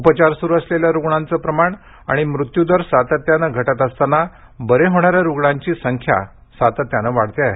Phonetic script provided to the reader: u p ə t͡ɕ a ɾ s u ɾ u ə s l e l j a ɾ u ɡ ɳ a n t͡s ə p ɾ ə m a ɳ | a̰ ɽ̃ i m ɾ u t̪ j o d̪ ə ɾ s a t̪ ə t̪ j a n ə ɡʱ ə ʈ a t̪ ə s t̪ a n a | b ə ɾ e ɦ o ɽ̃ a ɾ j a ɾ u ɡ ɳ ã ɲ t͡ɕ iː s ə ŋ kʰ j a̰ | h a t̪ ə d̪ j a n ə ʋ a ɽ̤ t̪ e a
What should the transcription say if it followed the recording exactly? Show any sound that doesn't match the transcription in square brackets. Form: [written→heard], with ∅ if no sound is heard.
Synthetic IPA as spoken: u p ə t͡ɕ a ɾ s u ɾ u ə s l e l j a ɾ u ɡ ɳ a n t͡s ə p ɾ ə m a ɳ | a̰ ɽ̃ i m ɾ u t̪ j [o→u] d̪ ə ɾ s a t̪ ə t̪ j a n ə ɡʱ ə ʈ a t̪ ə s t̪ a n a | b ə ɾ e ɦ o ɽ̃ a ɾ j a ɾ u ɡ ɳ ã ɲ t͡ɕ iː s ə ŋ kʰ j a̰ | [h→s] a t̪ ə [d̪→t̪] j a n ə ʋ a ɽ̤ t̪ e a